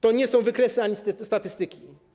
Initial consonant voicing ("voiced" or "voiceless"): voiceless